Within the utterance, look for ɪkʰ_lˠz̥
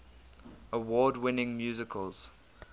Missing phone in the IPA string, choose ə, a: ə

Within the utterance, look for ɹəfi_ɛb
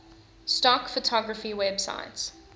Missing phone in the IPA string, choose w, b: w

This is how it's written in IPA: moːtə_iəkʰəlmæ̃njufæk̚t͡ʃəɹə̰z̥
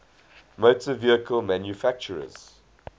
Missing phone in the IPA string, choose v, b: v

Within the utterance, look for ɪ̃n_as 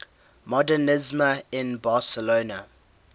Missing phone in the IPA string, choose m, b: b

